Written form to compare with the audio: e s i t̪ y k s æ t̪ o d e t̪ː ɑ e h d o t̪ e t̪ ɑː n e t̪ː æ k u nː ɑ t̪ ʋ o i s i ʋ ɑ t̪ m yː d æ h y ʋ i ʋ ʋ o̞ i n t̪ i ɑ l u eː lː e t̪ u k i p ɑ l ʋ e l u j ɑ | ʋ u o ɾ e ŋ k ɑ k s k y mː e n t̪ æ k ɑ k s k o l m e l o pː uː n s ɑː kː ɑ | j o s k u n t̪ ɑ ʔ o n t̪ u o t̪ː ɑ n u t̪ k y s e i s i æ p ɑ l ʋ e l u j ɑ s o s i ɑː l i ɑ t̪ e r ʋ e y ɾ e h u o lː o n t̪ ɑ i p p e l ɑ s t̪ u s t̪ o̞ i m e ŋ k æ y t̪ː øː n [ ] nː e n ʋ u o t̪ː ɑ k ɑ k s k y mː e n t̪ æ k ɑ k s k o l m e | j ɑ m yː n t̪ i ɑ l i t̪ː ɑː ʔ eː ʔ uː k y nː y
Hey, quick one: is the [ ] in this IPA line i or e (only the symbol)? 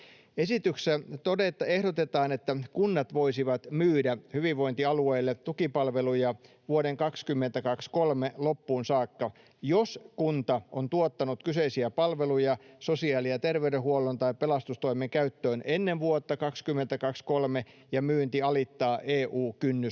e